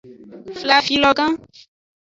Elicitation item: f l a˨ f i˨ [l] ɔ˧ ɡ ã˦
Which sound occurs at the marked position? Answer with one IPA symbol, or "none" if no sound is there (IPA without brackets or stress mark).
l